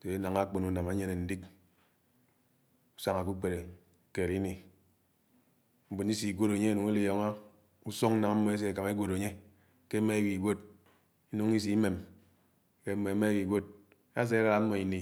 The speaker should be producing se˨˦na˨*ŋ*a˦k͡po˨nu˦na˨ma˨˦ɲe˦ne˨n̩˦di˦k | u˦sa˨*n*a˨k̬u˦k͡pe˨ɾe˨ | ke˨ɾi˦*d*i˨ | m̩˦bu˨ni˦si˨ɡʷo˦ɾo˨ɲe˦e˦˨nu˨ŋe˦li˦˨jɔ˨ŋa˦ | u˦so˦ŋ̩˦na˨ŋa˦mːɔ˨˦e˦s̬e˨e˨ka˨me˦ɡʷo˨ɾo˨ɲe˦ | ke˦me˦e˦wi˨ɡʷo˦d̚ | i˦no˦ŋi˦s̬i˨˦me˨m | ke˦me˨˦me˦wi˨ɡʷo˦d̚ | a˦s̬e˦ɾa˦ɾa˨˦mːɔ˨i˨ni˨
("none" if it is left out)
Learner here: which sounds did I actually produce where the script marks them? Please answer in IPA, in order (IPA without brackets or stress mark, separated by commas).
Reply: ŋ, ŋ, n